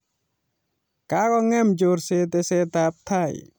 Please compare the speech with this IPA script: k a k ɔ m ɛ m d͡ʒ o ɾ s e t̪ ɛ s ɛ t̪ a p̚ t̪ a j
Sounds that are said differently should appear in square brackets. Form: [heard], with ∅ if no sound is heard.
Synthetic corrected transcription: k a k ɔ [ŋ] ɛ m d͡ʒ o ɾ s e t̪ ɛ s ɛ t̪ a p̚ [t̪ʰ] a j

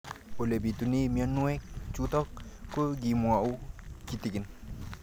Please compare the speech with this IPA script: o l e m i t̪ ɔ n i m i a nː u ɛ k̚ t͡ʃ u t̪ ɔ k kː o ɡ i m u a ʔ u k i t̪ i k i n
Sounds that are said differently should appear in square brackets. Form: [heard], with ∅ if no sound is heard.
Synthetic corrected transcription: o l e [b] i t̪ [u] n i m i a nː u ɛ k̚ t͡ʃ u t̪ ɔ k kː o ɡ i m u a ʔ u k i t̪ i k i n

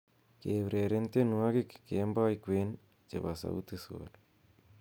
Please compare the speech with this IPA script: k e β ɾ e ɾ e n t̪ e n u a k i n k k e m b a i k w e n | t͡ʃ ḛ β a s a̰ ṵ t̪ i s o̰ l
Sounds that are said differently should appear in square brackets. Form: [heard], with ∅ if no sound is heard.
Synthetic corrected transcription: k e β ɾ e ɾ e n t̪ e n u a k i [∅] k k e m b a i k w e n | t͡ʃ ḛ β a s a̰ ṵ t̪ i s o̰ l

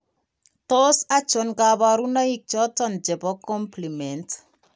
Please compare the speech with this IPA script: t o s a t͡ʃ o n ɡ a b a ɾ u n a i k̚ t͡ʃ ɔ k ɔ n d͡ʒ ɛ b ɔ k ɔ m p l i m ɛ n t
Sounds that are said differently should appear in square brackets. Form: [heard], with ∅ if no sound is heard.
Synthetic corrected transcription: t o s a t͡ʃ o n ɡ a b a ɾ u n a i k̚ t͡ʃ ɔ [t] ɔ n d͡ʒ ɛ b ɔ k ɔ m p l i m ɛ n t

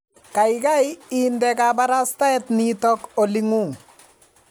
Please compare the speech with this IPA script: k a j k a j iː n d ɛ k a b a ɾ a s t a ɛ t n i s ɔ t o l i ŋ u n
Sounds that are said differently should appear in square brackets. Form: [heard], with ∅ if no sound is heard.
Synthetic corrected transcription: k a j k a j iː n d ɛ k a b a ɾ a s t a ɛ t n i [t] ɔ [k] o l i ŋ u [ŋ]

